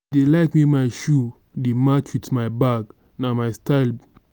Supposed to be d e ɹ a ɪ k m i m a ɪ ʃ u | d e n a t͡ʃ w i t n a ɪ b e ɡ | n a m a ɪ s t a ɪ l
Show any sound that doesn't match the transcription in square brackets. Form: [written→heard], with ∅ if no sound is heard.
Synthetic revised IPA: d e [ɹ→l] a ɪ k m i m a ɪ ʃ u | d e [n→m] a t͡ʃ w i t [n→m] a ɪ b [e→a] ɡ | n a m a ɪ s t a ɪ l